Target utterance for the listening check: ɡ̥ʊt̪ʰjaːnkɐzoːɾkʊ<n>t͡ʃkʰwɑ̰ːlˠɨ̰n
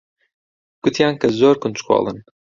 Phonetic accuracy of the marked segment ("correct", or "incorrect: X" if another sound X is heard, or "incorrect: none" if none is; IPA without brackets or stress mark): correct